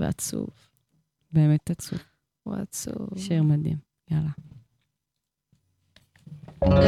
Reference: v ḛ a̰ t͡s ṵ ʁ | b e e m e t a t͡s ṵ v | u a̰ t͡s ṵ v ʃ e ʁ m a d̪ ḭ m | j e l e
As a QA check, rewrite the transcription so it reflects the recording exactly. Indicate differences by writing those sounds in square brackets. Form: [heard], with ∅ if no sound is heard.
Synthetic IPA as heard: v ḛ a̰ t͡s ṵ [v] | b e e m e t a t͡s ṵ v | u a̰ t͡s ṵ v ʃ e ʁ m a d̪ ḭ m | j [a] l [a]